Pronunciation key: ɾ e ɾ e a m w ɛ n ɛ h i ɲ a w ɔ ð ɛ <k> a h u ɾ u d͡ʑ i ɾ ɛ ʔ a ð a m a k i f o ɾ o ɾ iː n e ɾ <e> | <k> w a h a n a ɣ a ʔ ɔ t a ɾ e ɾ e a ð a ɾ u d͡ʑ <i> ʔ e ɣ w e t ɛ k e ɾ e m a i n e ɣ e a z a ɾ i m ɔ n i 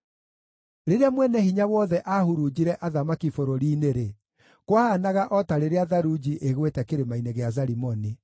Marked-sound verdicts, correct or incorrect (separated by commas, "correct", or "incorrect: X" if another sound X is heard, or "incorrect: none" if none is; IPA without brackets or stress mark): incorrect: ʔ, correct, correct, correct